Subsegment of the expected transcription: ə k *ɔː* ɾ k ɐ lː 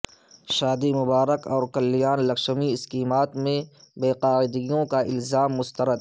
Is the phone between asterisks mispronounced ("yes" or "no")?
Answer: no